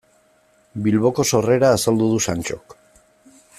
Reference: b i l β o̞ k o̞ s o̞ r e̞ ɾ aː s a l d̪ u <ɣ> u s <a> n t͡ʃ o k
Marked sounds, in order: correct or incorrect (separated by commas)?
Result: incorrect, correct